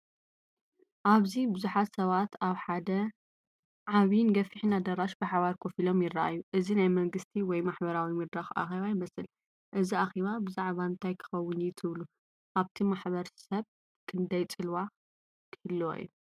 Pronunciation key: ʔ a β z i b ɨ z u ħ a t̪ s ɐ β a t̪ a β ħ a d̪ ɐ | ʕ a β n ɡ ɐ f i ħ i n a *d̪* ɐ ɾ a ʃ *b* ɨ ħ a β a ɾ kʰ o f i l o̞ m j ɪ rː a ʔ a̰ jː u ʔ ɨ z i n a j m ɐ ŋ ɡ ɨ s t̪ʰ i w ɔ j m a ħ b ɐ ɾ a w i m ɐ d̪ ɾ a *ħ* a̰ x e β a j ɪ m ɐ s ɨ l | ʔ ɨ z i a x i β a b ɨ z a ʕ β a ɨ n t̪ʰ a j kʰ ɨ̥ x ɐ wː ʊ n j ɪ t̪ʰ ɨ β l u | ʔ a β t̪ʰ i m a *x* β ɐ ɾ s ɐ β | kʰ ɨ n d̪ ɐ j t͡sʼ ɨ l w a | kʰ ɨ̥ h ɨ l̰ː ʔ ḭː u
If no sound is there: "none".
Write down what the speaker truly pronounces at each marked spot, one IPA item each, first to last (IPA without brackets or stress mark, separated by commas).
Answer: d̪, b, x, ħ